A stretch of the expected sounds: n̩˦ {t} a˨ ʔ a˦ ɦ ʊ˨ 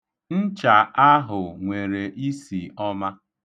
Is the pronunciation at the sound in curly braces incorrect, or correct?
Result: incorrect